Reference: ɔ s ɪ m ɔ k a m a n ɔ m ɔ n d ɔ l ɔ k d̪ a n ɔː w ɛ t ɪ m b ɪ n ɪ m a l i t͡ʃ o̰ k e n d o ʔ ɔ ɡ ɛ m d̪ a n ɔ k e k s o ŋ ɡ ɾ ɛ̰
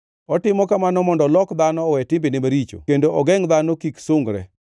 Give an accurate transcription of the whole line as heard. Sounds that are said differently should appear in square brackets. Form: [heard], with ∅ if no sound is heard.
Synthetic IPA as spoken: ɔ [t] ɪ m ɔ k a m a n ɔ m ɔ n d ɔ l ɔ k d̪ a n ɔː w ɛ t ɪ m b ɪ n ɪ m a [ɾ] i t͡ʃ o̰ k e n d o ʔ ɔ ɡ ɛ [ŋ] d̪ a n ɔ k [i] k s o ŋ ɡ ɾ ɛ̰